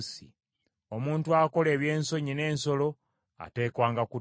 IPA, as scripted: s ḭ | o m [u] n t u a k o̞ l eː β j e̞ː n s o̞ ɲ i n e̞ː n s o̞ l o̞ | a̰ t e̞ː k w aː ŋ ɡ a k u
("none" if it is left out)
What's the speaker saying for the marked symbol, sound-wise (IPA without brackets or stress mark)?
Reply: uː